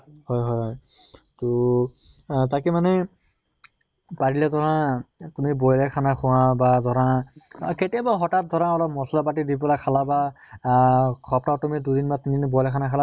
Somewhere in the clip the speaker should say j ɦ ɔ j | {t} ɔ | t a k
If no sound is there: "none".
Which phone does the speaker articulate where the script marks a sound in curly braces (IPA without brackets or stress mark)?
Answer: t